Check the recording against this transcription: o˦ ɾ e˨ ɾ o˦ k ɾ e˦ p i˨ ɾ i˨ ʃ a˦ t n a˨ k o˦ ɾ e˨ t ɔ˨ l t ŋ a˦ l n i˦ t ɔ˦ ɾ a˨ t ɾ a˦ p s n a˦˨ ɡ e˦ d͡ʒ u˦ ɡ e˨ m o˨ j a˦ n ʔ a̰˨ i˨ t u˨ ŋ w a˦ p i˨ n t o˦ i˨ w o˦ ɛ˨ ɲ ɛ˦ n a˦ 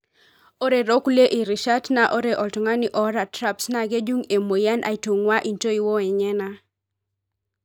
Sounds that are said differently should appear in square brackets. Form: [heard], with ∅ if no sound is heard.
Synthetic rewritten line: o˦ ɾ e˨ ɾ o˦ k [l] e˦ [ʔ] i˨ ɾ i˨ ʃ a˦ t n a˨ [ʔ] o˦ ɾ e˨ [ʔ] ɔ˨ l t ŋ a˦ [∅] n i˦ [ʔ] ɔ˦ ɾ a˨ t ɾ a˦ p s n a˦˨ ɡ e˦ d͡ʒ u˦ [ŋ] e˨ m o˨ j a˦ n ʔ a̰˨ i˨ t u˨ ŋ w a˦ [ʔ] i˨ n t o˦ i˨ w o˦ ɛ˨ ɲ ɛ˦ n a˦